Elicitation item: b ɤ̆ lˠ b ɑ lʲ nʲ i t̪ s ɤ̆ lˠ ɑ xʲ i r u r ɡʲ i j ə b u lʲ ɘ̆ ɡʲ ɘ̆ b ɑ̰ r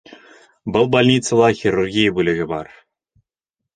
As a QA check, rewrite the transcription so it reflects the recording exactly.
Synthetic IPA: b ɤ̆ lˠ b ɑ lʲ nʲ i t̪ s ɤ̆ lˠ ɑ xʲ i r u r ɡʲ i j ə b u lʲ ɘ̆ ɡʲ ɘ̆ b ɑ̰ r